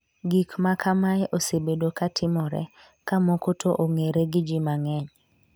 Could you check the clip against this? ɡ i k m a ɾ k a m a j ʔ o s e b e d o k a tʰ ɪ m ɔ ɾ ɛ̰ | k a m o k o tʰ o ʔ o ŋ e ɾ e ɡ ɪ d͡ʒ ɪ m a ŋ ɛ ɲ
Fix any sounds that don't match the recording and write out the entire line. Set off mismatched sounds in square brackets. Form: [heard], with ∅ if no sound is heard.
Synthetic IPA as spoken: ɡ i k m a [∅] k a m a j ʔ o s e b e d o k a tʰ ɪ m ɔ ɾ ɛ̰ | k a m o k o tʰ o ʔ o ŋ e ɾ e ɡ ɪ d͡ʒ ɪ m a ŋ ɛ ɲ